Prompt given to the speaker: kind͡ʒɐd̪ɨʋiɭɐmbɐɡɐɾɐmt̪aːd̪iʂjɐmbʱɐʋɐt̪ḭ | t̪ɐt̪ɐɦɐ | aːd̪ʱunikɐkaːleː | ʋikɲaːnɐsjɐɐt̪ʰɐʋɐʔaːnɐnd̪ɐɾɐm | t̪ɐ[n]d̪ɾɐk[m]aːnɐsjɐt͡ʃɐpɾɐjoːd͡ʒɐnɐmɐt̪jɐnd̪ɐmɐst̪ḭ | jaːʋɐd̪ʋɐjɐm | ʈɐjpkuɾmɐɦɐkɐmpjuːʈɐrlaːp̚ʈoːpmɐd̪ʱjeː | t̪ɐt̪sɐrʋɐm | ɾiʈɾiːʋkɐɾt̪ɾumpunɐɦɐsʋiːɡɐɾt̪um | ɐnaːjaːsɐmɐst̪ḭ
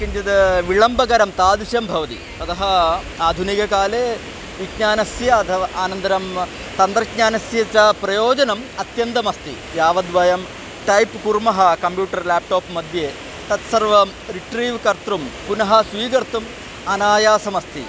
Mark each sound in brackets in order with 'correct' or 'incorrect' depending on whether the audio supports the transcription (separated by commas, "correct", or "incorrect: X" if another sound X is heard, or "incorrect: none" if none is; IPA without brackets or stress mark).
correct, incorrect: ɲ